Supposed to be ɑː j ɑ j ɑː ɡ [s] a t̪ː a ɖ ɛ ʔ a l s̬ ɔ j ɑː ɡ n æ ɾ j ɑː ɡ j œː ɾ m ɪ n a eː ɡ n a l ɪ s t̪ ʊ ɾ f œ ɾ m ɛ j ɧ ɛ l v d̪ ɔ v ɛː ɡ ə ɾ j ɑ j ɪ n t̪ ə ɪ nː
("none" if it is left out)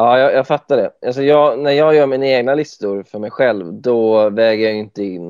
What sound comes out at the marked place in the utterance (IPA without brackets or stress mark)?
f